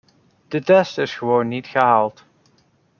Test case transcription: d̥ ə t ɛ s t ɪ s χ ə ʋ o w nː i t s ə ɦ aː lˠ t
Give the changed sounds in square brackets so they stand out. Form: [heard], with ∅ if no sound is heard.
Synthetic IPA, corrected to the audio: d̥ ə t ɛ s t ɪ s χ ə ʋ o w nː i t [χ] ə ɦ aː lˠ t

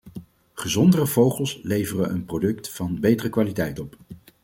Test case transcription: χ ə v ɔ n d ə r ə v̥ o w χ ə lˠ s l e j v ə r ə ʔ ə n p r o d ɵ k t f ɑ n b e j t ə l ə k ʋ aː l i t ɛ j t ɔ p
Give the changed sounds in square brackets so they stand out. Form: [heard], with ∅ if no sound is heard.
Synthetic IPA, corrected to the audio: χ ə [z] ɔ n d ə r ə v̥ o w χ ə lˠ s l e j v ə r ə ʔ ə n p r o d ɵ k t f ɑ n b e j t ə [r] ə k ʋ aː l i t ɛ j t ɔ p

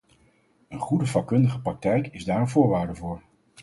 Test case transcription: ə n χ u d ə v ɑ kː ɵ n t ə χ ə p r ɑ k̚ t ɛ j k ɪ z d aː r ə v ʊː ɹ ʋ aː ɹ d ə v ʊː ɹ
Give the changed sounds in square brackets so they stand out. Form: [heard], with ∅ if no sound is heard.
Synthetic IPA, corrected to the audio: ə n χ u d ə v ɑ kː ɵ n [d] ə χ ə p r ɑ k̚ t ɛ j k ɪ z d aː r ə v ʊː ɹ ʋ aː ɹ d ə v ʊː ɹ

